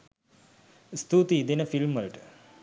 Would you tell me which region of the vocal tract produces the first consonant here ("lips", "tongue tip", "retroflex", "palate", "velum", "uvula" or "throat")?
tongue tip